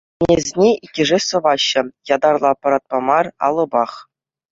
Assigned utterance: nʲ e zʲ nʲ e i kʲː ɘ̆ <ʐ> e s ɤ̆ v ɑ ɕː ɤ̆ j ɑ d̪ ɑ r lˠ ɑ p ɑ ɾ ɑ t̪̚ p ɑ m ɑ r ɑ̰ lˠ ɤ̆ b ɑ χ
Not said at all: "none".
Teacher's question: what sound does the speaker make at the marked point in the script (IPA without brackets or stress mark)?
ʐ